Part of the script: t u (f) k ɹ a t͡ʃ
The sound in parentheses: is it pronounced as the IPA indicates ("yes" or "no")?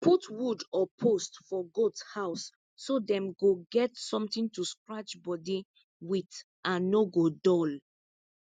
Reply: no